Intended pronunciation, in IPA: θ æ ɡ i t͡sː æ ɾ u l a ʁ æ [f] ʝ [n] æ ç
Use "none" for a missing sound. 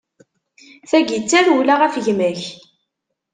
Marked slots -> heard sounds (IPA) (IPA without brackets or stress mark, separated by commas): f, m